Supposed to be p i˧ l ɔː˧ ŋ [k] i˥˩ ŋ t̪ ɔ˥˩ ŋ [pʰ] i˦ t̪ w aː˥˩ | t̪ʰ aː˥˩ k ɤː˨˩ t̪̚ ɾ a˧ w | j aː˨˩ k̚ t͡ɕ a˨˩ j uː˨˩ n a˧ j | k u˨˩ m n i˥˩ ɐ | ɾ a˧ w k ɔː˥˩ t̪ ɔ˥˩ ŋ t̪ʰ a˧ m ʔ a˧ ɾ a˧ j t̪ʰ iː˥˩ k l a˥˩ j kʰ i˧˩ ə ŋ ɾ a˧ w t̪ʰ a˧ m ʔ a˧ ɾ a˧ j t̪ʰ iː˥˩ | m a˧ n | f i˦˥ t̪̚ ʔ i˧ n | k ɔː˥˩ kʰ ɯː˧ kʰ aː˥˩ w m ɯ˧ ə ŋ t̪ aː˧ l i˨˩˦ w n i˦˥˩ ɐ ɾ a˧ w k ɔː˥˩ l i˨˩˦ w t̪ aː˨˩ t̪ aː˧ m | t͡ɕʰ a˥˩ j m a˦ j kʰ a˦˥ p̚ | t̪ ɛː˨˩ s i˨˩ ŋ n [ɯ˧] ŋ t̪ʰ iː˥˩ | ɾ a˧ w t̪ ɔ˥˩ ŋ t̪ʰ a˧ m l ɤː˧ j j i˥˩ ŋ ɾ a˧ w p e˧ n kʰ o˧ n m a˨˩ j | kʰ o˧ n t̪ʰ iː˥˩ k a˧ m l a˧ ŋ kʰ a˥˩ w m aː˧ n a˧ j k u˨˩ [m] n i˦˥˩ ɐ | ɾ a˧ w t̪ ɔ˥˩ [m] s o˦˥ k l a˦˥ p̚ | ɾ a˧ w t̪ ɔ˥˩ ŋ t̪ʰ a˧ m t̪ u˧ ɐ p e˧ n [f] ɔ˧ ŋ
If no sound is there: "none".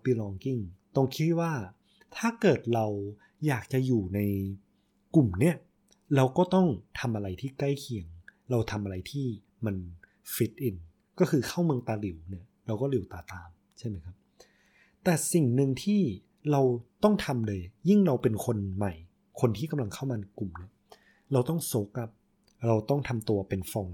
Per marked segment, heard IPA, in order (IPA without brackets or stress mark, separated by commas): k, kʰ, ɯ˧, m, ŋ, f